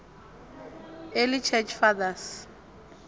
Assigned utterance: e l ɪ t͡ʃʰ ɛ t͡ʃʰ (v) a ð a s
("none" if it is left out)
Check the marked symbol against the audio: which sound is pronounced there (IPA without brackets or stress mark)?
f